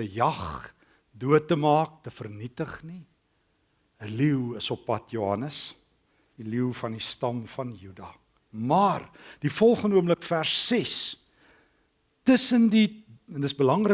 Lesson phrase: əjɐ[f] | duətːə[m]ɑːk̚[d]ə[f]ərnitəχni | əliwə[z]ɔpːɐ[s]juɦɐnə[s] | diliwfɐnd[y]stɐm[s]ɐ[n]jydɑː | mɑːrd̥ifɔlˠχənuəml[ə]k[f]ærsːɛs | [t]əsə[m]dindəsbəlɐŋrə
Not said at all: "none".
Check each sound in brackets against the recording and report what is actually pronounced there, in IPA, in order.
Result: χ, m, t, f, s, t, s, i, f, n, ə, f, t, n

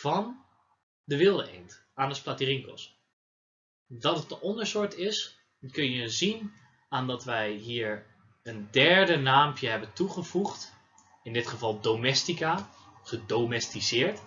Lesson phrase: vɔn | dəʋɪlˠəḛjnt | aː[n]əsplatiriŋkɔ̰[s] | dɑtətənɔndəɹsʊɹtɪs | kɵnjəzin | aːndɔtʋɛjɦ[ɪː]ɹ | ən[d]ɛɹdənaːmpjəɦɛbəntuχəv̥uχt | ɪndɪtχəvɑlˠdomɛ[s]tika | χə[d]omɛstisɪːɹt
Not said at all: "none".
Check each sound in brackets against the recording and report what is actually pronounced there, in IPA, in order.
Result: n, s, iː, d, s, d

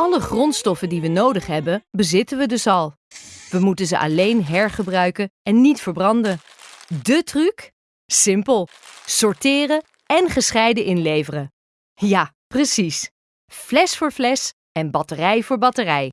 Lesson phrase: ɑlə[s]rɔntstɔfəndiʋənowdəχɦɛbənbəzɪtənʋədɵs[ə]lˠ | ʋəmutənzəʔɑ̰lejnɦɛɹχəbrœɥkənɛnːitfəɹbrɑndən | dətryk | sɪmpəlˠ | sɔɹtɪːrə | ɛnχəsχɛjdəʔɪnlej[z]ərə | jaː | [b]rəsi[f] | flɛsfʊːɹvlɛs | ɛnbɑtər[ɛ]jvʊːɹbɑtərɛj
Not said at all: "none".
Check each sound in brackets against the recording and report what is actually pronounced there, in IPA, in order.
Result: χ, ɑ, v, p, s, ɛ

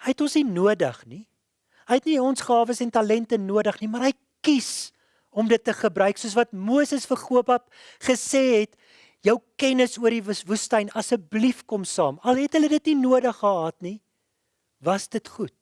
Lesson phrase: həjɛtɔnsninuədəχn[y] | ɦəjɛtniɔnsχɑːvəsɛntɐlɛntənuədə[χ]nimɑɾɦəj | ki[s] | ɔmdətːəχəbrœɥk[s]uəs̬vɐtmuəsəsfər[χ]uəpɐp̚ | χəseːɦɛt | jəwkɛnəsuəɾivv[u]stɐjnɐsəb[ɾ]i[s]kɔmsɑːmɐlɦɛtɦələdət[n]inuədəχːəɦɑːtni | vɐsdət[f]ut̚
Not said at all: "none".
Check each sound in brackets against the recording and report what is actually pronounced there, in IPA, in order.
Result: i, χ, s, s, χ, u, l, f, n, χ

